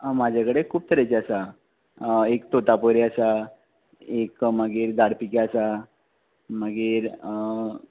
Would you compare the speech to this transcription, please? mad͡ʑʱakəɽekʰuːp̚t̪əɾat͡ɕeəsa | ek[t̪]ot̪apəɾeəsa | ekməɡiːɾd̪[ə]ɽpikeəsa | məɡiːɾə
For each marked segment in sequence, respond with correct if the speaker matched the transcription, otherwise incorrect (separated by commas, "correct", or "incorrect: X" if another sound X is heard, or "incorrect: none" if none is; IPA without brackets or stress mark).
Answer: correct, incorrect: a